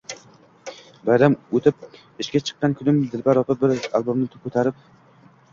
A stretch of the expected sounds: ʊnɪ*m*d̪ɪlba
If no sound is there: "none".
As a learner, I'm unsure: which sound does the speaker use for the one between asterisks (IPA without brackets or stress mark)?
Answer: m